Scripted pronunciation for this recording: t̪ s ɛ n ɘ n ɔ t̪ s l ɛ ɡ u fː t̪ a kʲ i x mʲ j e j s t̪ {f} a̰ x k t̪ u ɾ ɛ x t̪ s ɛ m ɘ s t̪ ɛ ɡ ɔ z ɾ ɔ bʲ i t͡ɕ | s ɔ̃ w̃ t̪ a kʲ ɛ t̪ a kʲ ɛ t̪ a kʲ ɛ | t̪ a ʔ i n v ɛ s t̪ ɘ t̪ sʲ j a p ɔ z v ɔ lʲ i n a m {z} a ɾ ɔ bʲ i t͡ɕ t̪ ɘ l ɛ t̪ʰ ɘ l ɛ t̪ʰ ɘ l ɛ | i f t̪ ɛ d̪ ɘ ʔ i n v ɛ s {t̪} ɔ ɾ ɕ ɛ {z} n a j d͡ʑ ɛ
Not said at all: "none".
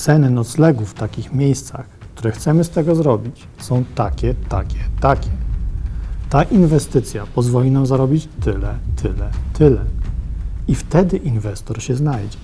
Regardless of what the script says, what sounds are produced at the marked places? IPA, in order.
s, z, t̪, z

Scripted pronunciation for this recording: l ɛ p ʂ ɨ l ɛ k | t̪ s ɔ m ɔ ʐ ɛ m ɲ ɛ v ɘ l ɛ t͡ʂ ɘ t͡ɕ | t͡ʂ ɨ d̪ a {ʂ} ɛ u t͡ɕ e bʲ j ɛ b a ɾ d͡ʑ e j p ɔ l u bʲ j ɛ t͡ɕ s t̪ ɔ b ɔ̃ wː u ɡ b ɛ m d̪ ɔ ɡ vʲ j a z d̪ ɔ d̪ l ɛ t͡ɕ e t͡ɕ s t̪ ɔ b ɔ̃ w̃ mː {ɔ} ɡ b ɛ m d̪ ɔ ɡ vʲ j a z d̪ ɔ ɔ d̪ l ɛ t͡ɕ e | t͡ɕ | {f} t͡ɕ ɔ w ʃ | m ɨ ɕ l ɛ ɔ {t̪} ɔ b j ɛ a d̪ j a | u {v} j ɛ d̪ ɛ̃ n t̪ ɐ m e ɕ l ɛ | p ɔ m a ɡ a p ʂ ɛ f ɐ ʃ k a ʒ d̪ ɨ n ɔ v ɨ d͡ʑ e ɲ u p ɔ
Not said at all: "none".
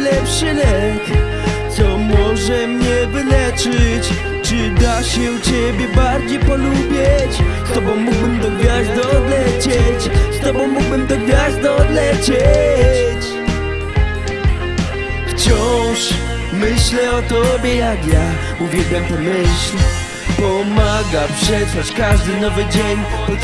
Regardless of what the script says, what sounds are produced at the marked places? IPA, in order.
ɕ, u, f, t̪, v

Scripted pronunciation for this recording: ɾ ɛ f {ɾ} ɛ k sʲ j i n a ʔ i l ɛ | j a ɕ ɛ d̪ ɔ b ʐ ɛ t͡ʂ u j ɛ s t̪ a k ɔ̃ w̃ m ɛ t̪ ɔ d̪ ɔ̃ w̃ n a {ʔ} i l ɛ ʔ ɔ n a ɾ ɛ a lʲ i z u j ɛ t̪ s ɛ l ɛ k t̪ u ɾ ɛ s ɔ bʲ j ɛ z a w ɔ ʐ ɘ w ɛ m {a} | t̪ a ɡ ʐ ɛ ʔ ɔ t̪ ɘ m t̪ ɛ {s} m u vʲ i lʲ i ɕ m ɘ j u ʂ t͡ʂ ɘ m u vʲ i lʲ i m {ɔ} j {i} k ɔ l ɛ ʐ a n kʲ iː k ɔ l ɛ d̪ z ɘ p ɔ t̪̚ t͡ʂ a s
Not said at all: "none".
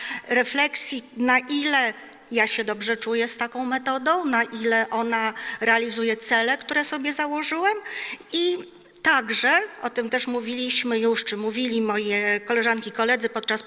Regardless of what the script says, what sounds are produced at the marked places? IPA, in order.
l, ʔ, i, ʂ, ɔ, ɛ

